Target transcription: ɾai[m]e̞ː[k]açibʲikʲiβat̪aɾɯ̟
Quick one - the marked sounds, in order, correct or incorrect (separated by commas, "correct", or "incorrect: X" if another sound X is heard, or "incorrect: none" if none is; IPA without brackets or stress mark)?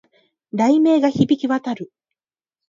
correct, incorrect: ɡ